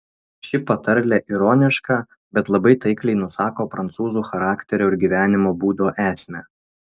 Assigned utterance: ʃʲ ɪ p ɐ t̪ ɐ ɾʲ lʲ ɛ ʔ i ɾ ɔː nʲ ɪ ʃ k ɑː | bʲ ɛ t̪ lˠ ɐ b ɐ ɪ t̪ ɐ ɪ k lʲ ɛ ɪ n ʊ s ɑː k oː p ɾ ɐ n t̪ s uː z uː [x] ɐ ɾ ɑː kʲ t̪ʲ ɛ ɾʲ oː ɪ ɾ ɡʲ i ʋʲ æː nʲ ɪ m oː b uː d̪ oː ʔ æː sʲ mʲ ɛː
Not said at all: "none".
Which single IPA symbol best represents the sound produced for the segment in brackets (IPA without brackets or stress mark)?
x